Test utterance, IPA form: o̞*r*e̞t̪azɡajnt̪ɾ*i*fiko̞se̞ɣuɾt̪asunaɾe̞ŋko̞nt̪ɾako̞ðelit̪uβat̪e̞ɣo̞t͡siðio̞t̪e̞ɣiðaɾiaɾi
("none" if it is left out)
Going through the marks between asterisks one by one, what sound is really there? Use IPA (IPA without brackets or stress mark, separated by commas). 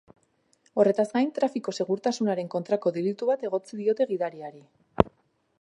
r, a